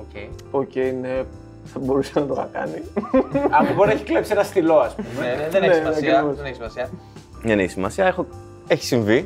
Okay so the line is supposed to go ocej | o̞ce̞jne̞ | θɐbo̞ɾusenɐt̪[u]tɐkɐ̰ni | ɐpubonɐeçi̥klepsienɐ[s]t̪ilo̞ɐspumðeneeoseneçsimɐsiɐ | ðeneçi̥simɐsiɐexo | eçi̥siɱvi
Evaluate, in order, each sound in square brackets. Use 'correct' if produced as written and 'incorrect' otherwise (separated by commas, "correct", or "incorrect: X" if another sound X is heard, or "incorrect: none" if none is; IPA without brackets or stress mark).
incorrect: o, correct